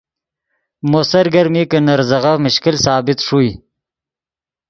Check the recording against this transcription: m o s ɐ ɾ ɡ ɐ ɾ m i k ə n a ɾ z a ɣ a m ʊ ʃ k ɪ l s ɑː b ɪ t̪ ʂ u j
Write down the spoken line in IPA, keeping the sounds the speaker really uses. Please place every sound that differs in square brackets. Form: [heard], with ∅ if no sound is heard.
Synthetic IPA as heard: m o s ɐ ɾ ɡ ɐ ɾ m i k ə n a ɾ z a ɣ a m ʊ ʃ k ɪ l s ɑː b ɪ t̪ ʂ u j